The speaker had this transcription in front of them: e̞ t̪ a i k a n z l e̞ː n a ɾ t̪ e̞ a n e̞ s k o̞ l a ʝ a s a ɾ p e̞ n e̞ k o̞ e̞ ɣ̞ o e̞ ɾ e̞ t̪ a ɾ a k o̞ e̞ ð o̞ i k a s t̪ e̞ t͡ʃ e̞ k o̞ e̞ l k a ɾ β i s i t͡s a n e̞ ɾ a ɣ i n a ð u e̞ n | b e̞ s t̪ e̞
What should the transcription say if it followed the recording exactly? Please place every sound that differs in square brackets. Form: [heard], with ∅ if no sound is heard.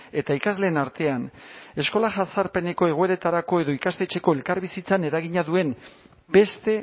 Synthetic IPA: e̞ t̪ a i k a [∅] z l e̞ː n a ɾ t̪ e̞ a n e̞ s k o̞ l a ʝ a s a ɾ p e̞ n e̞ k o̞ e̞ ɣ̞ o e̞ ɾ e̞ t̪ a ɾ a k o̞ e̞ ð o̞ i k a s t̪ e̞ t͡ʃ e̞ k o̞ e̞ l k a ɾ β i s i t͡s a n e̞ ɾ a ɣ i [ɲ] a ð u e̞ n | b e̞ s t̪ e̞